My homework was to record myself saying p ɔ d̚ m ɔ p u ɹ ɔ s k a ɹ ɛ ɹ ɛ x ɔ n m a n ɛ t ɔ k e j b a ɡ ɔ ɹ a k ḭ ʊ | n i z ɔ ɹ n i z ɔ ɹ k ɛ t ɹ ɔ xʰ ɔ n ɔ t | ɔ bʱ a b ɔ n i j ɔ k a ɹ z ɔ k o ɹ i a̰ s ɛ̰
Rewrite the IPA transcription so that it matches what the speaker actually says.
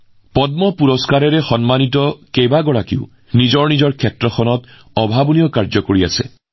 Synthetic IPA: p ɔ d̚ m ɔ p u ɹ ɔ s k a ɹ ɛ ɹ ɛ x ɔ n m a n i t ɔ k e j b a ɡ ɔ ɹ a k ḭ ʊ | n i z ɔ ɹ n i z ɔ ɹ kʰ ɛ t ɹ ɔ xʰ ɔ n ɔ t | ɔ bʱ a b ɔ n i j ɔ k a ɹ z ɔ k o ɹ i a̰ s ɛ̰